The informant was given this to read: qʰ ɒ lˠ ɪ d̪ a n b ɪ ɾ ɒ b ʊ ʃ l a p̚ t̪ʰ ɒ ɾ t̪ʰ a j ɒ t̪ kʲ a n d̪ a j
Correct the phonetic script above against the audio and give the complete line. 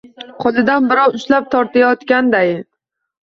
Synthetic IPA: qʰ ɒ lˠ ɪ d̪ a n b ɪ ɾ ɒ w ʊ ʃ l a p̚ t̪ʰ ɒ ɾ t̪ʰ a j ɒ t̪ kʲ a n d̪ a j